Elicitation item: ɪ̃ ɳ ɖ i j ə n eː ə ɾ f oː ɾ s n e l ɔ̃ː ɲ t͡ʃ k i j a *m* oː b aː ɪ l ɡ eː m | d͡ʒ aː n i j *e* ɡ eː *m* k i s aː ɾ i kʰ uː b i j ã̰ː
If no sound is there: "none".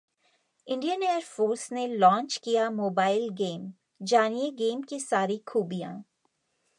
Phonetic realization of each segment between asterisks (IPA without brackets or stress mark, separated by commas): m, e, m